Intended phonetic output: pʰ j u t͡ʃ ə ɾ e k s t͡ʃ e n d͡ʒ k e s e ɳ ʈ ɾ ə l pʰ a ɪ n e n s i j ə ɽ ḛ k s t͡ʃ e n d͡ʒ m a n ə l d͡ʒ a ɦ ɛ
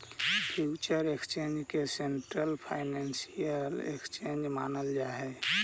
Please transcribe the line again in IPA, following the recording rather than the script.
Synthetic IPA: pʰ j u t͡ʃ ə ɾ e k s t͡ʃ e n d͡ʒ k e s e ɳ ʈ ɾ ə l pʰ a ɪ n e n s i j ə l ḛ k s t͡ʃ e n d͡ʒ m a n ə l d͡ʒ a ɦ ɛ